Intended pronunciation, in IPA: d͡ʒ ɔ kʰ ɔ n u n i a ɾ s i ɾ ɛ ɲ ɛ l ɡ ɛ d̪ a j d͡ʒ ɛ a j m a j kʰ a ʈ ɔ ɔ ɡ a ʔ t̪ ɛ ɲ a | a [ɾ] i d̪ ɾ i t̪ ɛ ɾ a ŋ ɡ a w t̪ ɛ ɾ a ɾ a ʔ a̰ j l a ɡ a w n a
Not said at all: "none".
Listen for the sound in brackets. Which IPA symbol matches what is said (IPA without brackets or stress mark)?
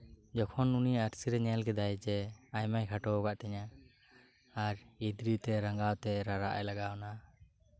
ɾ